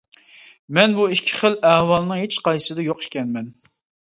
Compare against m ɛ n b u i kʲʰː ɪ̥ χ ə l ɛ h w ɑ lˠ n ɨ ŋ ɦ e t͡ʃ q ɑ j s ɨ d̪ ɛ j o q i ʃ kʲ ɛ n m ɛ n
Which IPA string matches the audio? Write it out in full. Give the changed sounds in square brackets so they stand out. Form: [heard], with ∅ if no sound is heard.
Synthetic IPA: m ɛ n b u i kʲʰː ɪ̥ χ ə l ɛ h w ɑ lˠ n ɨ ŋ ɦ e t͡ʃ q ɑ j s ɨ d̪ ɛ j o q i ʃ kʲ ɛ n m ɛ n